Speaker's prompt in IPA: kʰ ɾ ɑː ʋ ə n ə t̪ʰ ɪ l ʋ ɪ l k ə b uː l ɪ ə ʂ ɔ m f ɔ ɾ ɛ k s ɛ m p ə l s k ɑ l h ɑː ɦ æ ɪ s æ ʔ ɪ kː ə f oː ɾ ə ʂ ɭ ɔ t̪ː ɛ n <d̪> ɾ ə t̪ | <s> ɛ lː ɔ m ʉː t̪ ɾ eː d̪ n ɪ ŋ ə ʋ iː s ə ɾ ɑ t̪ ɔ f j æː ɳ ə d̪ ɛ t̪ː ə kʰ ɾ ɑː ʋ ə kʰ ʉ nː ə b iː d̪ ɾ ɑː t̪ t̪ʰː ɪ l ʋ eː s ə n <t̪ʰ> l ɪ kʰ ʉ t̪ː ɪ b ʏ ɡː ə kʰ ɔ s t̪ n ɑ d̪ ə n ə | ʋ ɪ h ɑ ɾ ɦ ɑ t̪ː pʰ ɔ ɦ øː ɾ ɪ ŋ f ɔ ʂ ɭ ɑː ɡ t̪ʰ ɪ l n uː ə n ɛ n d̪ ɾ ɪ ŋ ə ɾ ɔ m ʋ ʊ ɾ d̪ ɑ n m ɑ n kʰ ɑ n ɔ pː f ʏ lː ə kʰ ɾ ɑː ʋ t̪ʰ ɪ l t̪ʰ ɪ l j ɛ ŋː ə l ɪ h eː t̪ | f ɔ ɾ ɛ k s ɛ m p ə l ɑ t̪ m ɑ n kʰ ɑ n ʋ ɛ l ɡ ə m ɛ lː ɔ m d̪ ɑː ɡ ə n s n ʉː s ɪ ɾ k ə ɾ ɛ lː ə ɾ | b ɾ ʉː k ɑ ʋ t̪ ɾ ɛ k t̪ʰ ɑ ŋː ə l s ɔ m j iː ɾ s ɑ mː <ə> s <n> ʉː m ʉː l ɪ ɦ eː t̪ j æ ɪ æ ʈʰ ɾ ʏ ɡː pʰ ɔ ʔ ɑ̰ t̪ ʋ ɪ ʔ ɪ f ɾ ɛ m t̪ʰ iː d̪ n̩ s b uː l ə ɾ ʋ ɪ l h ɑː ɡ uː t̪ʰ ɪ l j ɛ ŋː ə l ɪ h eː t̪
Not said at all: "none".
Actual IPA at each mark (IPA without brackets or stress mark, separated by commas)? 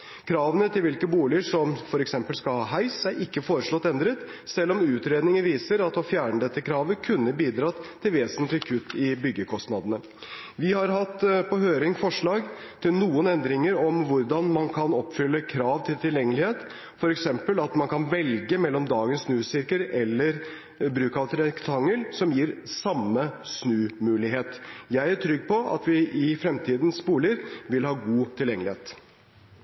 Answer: d̪, s, t̪, ə, n